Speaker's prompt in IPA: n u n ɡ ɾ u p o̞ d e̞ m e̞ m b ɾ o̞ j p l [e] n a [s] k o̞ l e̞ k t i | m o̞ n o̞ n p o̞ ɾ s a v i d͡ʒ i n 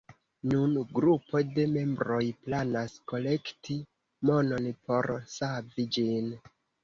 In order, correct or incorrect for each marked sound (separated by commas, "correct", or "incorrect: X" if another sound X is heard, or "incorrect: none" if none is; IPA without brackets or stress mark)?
incorrect: a, correct